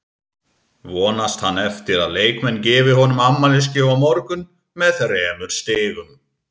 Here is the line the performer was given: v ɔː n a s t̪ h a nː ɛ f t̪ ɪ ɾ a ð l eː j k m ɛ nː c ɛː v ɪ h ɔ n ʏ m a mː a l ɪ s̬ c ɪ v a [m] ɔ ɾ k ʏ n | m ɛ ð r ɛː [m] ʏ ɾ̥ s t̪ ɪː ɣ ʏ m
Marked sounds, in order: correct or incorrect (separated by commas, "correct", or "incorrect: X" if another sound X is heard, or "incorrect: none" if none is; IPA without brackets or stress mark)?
correct, correct